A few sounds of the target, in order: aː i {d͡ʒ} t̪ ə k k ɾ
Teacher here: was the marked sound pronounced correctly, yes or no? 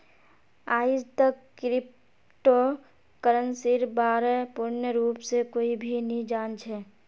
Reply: yes